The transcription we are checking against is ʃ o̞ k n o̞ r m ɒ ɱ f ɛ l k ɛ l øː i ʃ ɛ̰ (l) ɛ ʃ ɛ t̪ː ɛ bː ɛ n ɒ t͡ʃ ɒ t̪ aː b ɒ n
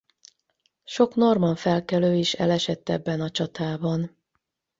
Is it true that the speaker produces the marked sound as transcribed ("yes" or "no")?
yes